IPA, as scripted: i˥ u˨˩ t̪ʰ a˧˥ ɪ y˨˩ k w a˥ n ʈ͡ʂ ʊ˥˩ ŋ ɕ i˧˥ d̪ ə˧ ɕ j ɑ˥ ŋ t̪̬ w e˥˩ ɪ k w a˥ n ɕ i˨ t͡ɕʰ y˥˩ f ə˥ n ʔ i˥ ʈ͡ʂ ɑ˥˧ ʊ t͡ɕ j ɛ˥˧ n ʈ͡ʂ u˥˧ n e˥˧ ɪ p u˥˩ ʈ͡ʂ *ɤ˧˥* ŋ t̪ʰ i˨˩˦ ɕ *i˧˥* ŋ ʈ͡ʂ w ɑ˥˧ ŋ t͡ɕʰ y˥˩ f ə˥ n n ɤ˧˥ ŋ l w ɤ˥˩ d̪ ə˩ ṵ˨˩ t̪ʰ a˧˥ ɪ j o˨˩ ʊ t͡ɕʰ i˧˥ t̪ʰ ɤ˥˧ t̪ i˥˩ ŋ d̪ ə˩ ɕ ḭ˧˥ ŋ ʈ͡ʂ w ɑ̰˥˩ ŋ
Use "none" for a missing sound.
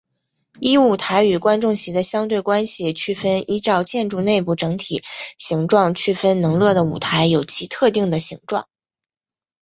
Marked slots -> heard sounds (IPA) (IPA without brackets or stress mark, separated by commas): ɤ˧˥, i˧˥